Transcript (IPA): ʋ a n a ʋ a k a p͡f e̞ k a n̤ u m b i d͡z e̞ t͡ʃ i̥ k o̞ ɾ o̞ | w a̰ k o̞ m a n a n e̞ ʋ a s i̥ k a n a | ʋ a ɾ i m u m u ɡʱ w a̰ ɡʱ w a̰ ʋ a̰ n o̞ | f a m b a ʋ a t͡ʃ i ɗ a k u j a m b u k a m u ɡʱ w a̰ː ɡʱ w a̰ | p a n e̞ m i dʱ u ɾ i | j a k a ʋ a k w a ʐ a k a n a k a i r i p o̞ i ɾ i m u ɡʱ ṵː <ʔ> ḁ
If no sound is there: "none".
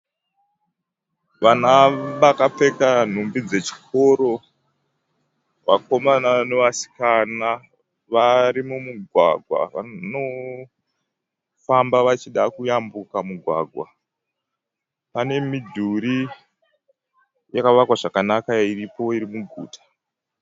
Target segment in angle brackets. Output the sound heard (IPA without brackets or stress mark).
t